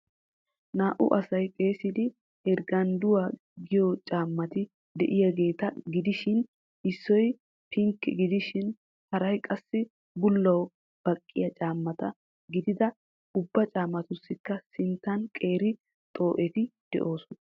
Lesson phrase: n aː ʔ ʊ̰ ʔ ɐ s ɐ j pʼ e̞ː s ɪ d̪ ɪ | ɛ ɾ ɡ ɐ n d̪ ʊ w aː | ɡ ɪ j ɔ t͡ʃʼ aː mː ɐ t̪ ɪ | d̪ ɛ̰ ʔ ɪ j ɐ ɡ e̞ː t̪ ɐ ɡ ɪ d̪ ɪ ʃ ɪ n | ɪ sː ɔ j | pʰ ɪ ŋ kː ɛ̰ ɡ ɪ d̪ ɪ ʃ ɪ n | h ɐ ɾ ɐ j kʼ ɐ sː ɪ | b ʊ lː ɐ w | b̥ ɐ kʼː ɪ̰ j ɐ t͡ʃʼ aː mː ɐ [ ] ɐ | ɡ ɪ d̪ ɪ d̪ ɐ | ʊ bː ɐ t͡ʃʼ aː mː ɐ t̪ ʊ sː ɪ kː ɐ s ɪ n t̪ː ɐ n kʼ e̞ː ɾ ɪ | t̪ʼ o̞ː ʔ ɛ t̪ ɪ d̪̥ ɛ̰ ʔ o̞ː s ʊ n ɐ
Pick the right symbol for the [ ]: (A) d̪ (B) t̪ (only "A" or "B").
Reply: B